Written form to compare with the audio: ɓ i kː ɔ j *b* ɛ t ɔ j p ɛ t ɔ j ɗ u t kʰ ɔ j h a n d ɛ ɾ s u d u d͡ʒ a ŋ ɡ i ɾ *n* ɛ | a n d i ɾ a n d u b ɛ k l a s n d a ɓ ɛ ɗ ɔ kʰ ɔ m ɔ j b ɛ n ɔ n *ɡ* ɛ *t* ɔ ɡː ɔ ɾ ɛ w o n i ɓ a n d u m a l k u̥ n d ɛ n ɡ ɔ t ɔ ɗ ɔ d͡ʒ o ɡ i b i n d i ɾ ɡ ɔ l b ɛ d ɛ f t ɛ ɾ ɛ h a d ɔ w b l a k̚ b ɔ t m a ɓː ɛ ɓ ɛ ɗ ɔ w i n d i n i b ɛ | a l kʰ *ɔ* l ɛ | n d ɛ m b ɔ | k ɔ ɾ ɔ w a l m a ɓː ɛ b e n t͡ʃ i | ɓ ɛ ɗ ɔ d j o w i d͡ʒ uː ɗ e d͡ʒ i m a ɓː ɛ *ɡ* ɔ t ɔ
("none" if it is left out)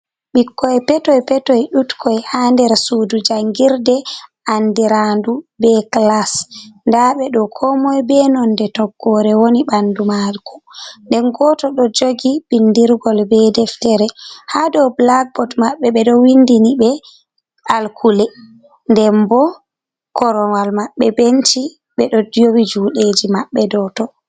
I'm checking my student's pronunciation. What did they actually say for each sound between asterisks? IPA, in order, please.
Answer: p, d, d, t, u, d

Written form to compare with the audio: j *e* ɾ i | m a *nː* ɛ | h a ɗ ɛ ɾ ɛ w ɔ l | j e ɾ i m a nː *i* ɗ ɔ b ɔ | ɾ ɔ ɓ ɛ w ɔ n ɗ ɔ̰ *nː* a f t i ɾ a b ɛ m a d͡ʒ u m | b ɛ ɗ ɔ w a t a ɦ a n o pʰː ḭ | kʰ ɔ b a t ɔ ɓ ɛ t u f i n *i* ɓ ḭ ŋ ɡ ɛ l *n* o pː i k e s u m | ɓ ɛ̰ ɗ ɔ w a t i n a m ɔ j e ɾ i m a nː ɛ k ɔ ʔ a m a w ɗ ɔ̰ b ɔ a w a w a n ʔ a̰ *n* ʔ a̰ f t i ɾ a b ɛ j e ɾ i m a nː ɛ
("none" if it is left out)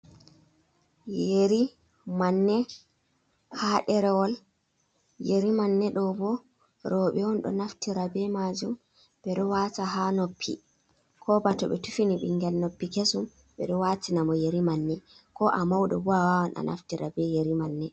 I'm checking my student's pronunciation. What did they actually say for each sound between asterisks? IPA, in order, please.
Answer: e, nː, ɛ, n, i, n, n

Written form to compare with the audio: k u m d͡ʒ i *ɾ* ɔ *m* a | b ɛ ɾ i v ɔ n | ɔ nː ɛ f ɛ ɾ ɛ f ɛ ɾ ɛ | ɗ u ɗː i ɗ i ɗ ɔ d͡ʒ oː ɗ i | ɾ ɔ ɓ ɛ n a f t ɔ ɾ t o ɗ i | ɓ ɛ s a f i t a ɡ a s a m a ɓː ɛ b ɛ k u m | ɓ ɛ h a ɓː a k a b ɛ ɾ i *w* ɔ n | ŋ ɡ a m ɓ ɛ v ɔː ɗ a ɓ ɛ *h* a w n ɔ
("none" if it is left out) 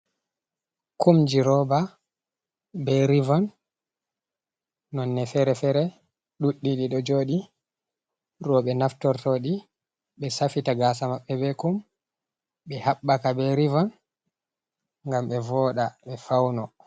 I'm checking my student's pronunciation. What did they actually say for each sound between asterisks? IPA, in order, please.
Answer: ɾ, b, v, f

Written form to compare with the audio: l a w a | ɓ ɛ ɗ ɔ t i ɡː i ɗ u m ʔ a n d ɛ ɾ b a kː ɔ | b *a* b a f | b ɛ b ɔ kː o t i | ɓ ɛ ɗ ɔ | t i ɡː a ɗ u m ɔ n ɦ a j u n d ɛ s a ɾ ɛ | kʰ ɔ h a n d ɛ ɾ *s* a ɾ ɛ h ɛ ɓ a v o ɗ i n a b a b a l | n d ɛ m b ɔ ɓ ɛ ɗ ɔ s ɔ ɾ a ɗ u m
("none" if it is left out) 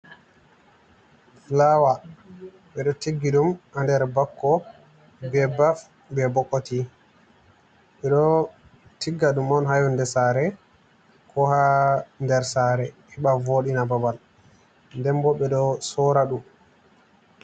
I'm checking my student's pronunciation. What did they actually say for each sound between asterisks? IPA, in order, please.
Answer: ɛ, s

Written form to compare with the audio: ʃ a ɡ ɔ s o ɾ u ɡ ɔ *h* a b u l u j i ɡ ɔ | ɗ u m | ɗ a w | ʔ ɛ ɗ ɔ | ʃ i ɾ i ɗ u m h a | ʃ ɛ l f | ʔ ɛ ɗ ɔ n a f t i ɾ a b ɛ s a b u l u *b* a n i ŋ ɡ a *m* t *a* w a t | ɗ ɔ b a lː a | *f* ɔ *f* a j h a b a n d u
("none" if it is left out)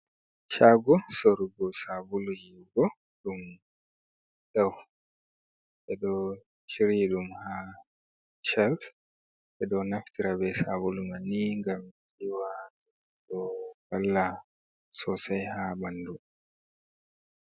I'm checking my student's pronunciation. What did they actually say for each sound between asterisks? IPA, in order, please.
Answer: s, m, m, i, s, s

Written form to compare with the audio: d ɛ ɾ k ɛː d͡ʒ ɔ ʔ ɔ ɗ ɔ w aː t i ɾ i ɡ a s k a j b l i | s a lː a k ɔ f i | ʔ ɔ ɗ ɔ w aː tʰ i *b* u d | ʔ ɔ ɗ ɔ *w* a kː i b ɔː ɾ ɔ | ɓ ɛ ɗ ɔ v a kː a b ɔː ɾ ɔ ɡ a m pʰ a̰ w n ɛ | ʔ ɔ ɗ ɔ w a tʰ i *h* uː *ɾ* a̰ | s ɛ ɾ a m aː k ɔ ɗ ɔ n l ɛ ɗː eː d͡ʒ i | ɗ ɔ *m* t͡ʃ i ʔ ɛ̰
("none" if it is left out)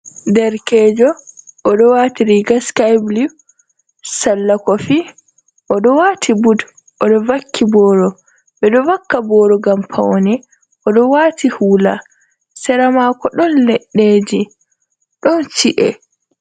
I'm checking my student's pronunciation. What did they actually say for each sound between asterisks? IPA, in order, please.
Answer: b, v, h, l, n

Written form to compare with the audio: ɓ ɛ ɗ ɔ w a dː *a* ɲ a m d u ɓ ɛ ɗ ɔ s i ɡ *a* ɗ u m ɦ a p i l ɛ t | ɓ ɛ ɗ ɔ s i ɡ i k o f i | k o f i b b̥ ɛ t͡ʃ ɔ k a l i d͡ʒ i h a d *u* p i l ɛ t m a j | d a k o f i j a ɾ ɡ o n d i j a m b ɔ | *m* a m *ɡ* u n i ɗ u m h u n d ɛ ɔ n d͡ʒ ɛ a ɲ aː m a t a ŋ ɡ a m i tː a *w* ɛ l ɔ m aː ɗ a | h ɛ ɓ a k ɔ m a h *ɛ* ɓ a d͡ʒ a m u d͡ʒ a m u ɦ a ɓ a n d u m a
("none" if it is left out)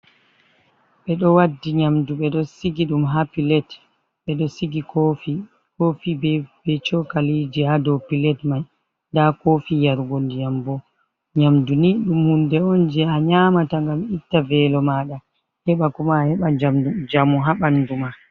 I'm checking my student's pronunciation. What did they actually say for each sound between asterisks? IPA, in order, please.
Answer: i, i, ɔ, ɲ, d, v, ɛ

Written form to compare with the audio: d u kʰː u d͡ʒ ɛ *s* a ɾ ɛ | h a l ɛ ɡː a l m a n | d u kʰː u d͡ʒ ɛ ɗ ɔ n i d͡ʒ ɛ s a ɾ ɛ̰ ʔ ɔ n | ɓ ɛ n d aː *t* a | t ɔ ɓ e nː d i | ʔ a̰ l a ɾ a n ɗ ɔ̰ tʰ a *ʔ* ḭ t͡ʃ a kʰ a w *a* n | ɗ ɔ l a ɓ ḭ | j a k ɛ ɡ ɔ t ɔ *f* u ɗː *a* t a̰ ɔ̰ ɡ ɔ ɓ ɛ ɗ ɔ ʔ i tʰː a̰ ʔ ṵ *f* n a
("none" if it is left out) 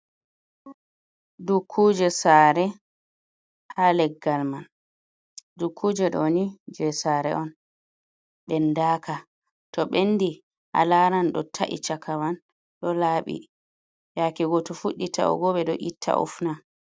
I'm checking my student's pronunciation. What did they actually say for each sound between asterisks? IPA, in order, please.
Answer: s, k, ʔ, a, f, i, f

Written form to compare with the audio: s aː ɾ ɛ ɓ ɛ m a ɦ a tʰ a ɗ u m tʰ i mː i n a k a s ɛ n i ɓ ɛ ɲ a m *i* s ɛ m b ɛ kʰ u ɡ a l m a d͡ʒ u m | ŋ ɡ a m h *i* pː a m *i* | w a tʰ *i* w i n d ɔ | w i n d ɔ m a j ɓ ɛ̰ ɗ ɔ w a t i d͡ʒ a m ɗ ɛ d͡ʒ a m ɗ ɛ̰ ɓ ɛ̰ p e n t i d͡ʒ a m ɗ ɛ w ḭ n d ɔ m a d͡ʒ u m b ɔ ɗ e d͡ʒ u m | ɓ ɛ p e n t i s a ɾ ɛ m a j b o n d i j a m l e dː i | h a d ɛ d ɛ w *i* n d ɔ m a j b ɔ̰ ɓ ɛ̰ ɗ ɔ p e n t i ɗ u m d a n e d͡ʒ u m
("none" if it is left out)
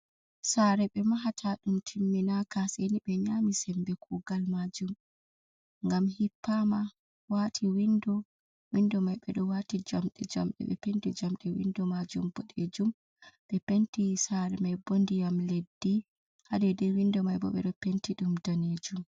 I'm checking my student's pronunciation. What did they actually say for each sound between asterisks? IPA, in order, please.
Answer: i, i, a, i, i

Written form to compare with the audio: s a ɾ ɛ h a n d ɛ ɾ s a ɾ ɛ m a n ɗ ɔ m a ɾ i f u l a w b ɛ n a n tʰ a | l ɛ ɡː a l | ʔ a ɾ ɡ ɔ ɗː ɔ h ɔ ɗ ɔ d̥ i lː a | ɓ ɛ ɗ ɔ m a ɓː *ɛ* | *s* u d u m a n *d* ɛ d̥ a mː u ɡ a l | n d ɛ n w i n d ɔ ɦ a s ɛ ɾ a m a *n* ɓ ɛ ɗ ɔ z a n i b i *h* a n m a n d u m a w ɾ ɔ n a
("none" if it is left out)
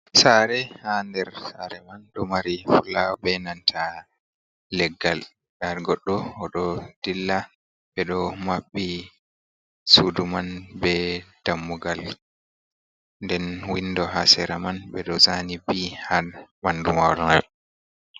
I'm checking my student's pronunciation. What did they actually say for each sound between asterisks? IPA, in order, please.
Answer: i, s, b, n, h

